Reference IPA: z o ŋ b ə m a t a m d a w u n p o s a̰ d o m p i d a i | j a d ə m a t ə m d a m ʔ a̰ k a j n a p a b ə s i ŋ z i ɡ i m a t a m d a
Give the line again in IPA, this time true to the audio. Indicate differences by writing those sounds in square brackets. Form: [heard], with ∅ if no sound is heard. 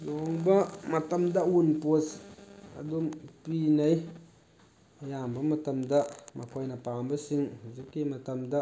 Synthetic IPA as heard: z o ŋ b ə m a t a m d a w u n p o s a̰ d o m p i [n] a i | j a [b] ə m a t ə m d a m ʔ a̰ k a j n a p a b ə s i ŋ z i [k] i m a t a m d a